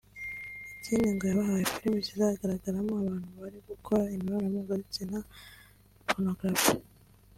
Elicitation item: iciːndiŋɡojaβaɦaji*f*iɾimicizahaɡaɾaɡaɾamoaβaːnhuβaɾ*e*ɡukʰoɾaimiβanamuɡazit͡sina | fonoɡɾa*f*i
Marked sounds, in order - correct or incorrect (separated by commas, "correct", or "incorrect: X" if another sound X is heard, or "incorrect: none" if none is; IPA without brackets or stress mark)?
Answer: correct, incorrect: i, correct